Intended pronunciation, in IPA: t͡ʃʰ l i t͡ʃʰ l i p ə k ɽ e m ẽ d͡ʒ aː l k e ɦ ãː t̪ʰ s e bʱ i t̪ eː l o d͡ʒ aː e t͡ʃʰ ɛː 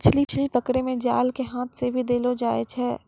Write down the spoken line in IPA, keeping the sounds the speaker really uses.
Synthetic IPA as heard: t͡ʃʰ l i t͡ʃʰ l i p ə k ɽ e m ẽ d͡ʒ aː l k e ɦ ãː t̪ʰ s e bʱ i d̪ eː l o d͡ʒ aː e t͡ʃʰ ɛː